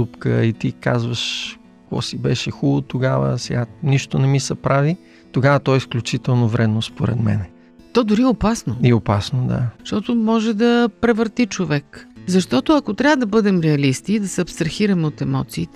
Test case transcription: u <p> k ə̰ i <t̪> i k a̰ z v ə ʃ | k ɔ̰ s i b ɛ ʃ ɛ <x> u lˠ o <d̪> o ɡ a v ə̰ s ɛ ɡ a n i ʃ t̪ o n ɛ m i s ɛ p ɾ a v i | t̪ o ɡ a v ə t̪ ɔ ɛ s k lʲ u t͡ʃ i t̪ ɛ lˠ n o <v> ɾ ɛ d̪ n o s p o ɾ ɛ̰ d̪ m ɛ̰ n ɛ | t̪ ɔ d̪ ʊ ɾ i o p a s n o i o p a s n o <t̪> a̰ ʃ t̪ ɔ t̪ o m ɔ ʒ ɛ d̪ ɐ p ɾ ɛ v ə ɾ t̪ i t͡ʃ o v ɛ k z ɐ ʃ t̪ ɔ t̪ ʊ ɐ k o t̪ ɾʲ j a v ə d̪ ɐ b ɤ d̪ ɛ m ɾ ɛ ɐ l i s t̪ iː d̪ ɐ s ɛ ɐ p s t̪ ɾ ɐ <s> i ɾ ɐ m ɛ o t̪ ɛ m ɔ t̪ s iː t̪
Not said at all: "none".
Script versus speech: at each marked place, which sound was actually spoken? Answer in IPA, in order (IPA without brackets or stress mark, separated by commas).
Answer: p, t̪, x, t̪, v, d̪, x